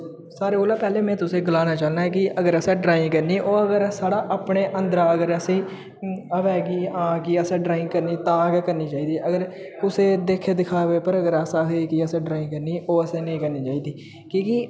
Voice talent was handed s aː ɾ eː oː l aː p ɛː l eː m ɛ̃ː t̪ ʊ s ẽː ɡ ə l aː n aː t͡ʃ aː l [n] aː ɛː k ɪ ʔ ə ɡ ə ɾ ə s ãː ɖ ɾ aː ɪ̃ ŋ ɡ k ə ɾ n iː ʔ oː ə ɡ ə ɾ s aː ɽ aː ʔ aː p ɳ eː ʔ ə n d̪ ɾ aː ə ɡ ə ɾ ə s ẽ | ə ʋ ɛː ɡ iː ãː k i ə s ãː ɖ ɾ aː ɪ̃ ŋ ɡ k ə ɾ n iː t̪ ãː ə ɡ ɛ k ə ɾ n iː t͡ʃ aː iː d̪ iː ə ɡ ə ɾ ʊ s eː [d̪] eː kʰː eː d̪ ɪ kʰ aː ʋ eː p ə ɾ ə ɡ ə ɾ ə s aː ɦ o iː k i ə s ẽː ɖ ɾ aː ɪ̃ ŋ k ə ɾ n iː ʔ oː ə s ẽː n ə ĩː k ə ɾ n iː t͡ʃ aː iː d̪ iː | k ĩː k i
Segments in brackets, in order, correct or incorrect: correct, correct

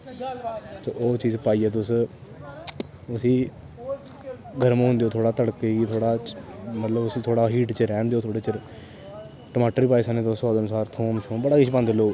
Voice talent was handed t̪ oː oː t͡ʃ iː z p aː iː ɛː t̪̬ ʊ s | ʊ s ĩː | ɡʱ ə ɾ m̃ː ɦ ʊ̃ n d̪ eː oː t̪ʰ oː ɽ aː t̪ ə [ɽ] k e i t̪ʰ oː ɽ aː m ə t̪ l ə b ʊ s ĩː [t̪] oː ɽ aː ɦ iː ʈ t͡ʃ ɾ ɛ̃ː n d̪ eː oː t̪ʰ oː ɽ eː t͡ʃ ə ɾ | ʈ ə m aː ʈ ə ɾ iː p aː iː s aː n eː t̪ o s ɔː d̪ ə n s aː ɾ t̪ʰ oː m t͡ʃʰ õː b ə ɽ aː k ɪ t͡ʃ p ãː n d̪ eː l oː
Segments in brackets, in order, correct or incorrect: correct, incorrect: t̪ʰ

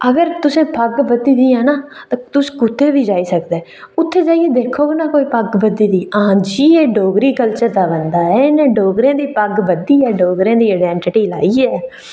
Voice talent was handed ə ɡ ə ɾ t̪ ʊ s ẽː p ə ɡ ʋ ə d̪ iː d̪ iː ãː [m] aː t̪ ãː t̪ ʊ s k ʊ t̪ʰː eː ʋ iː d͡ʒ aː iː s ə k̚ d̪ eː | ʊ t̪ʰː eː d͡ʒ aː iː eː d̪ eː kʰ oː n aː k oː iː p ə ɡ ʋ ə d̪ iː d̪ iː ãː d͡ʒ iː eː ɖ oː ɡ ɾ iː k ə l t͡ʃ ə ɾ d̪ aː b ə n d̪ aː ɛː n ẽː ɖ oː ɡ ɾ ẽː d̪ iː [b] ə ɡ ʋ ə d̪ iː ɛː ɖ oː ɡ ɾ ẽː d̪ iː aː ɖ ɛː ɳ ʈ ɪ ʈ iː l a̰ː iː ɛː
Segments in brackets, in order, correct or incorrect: incorrect: n, incorrect: p

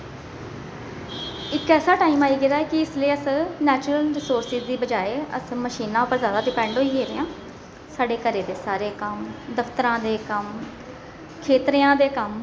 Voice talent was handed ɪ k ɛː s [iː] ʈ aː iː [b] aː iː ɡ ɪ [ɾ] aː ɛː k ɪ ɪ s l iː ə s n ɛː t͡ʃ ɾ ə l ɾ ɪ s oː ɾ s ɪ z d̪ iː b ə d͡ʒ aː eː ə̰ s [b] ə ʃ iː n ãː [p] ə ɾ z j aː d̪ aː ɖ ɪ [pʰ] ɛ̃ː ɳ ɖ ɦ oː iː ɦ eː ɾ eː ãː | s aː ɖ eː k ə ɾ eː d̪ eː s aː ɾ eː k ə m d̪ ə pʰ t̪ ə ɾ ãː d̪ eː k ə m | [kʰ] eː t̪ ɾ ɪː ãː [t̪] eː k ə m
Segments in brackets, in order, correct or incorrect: incorrect: aː, incorrect: m, correct, incorrect: m, correct, incorrect: p, correct, incorrect: d̪

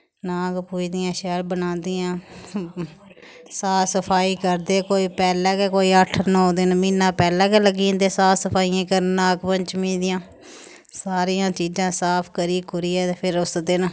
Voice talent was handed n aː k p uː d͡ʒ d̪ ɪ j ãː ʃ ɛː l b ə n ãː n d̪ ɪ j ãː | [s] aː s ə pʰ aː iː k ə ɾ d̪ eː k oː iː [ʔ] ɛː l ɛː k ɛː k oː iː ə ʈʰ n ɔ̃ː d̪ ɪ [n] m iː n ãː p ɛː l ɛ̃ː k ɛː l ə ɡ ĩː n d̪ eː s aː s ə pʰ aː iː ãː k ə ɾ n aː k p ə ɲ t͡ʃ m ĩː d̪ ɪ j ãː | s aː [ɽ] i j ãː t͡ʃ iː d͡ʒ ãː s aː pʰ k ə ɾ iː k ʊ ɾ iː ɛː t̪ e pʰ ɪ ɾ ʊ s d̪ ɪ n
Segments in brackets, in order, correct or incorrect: correct, incorrect: p, correct, incorrect: ɾ

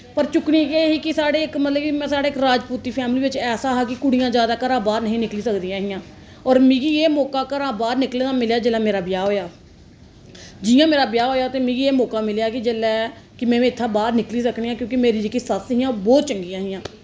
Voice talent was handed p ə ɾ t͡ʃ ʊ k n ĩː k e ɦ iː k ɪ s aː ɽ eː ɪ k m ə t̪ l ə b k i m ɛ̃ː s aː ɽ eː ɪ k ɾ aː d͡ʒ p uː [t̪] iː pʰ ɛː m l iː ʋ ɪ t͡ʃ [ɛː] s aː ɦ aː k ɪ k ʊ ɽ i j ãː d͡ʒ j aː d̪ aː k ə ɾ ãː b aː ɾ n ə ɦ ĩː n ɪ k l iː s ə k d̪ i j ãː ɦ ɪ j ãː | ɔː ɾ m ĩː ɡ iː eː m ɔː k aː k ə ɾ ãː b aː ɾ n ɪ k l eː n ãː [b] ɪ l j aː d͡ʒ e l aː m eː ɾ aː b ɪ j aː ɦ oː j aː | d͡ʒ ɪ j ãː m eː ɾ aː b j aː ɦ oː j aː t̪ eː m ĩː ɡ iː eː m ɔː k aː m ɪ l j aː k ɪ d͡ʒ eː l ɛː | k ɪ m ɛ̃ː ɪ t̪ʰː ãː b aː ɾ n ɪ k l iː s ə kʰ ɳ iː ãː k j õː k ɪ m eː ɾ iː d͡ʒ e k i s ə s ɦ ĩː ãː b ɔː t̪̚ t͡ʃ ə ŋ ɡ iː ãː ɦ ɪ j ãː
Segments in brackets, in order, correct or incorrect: correct, correct, incorrect: m

